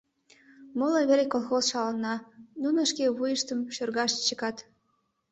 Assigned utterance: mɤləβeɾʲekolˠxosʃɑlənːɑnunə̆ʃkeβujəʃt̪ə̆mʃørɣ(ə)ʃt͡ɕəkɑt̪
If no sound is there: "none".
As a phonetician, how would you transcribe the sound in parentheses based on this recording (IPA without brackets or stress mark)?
ɑ